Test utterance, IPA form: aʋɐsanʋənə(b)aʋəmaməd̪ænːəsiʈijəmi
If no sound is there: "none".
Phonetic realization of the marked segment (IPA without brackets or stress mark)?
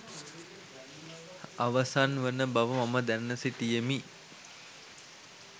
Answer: b